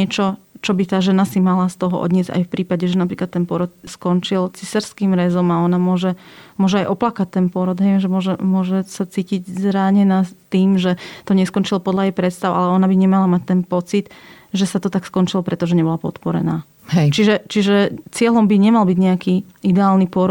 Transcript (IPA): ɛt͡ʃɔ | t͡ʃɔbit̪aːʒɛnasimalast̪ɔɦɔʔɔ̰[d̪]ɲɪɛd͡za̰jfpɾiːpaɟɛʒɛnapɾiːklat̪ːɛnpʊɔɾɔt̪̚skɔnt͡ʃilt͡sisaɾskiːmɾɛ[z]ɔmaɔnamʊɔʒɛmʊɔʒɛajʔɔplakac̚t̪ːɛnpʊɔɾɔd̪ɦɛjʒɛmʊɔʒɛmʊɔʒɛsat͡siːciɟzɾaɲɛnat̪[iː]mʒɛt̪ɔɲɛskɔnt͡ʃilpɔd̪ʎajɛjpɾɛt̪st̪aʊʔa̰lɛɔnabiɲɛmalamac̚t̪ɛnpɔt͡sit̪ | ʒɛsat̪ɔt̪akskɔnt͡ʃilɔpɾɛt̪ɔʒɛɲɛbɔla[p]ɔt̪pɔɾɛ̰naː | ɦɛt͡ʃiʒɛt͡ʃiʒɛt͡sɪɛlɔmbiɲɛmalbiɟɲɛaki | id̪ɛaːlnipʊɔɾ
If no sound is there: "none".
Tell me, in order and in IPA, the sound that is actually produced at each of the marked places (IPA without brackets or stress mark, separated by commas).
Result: d̪, z, iː, p